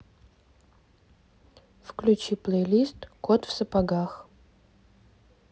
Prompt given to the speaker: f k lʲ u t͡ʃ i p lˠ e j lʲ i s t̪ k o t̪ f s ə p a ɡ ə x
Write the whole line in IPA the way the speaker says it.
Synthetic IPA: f k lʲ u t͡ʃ i p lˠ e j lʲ i s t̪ k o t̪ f s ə p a ɡ a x